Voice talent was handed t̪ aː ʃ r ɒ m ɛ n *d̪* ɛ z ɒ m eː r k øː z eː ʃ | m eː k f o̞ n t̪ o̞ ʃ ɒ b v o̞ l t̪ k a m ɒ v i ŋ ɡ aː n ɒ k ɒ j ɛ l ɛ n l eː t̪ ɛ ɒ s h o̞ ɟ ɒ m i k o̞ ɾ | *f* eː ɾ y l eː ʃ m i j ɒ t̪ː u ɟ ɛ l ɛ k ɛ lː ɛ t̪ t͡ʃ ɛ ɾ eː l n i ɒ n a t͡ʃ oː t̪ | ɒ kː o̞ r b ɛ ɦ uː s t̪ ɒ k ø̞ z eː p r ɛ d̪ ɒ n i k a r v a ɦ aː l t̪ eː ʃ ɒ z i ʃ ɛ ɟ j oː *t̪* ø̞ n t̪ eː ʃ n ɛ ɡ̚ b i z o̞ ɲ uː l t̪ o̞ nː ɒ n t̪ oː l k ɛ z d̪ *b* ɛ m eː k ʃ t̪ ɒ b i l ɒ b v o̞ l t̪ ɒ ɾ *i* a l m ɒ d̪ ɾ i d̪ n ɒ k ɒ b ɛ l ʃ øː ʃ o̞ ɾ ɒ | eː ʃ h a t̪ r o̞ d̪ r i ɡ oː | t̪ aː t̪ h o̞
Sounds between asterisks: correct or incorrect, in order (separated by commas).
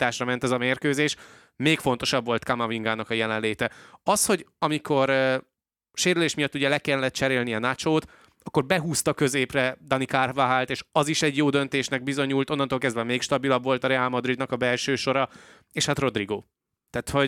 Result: incorrect, incorrect, incorrect, incorrect, incorrect